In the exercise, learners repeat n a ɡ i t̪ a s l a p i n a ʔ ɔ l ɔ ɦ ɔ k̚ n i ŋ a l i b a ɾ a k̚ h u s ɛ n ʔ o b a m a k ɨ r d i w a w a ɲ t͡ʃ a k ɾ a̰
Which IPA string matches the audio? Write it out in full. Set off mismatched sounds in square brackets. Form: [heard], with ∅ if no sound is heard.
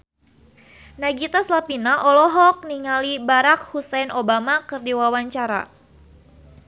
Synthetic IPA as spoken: n a ɡ i t̪ a s l a p i n a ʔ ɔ l ɔ ɦ ɔ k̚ n i ŋ a l i b a ɾ a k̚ h u s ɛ n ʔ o b a m a k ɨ r d i w a w a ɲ t͡ʃ a [∅] ɾ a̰